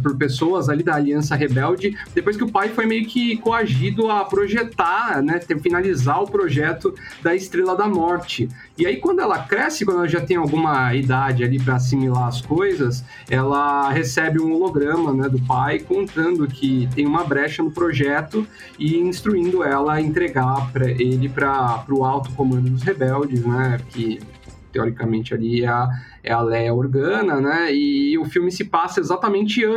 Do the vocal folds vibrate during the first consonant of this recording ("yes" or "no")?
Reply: no